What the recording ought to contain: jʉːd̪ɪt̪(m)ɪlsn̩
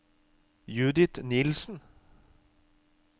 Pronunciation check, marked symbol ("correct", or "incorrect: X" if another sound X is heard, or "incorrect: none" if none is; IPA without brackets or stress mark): incorrect: n